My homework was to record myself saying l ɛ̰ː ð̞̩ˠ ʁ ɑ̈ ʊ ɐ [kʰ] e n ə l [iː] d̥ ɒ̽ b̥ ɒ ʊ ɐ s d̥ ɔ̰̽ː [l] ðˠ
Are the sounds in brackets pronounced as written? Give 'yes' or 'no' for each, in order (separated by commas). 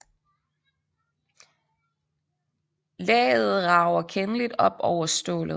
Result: yes, no, yes